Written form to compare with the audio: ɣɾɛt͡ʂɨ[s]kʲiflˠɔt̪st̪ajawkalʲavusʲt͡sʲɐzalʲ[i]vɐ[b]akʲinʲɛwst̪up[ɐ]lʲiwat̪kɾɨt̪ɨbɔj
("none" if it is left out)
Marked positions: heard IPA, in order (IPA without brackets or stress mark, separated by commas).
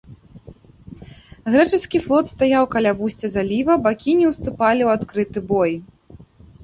s, i, b, a